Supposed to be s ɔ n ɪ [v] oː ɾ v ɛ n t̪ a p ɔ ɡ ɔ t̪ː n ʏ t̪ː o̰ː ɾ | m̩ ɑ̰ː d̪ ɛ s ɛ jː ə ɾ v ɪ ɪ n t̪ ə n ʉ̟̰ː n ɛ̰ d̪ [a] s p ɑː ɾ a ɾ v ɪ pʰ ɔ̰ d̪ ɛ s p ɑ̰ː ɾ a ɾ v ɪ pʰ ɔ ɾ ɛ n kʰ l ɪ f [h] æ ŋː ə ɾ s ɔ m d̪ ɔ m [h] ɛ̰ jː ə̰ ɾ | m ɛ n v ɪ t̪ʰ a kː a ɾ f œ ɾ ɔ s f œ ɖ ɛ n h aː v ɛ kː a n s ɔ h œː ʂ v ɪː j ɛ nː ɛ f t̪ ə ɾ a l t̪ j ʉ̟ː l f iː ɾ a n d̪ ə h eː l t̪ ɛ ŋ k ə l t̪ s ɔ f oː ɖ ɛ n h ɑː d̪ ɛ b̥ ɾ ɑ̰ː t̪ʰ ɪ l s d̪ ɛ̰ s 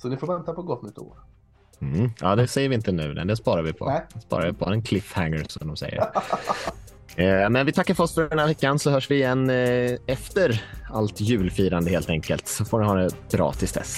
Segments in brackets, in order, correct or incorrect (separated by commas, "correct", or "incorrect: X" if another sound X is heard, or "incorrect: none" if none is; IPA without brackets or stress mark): incorrect: f, incorrect: ɛ, correct, incorrect: s